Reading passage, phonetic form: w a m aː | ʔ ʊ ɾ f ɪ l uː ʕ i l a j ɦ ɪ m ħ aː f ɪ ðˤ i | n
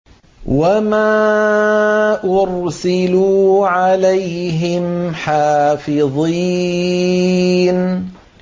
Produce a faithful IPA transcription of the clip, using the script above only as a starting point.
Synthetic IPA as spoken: w a m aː | ʔ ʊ ɾ s ɪ l uː ʕ a l a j ɦ ɪ m ħ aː f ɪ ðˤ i | n